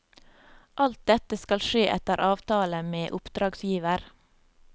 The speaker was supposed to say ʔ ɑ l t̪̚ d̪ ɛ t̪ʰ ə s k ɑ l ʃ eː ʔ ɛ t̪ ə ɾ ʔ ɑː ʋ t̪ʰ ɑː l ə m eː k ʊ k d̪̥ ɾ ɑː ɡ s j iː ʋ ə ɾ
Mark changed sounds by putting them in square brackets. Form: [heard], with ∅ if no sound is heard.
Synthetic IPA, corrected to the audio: ʔ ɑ l t̪̚ d̪ ɛ [t̪] ə s k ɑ l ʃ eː ʔ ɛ t̪ ə ɾ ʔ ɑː ʋ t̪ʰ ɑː l ə m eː [ʔ] ʊ [p] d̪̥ ɾ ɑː ɡ s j iː ʋ ə ɾ